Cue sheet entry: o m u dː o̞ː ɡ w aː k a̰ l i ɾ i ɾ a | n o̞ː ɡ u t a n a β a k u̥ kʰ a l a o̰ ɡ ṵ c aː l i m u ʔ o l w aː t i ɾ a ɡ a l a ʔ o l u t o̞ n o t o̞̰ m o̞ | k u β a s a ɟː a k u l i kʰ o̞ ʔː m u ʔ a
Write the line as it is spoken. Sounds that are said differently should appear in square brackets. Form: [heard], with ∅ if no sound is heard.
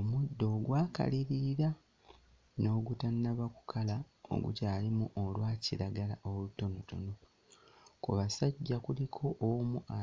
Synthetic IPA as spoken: o m u dː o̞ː ɡ w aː k a̰ l i ɾ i ɾ a | n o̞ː ɡ u t a n a β a k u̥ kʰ a l a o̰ ɡ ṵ c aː l i m u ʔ o l w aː [c] i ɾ a ɡ a l a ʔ o l u t o̞ n o t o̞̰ [n] o̞ | k u β a s a ɟː a k u l i kʰ o̞ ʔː m u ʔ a